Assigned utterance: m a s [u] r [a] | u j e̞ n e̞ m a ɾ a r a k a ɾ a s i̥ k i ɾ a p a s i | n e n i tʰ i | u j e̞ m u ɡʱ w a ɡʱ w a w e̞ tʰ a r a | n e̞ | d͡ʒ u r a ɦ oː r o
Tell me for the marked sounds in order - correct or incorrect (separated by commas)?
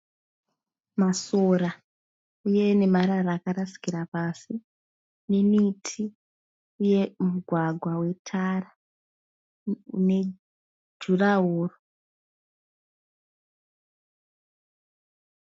incorrect, correct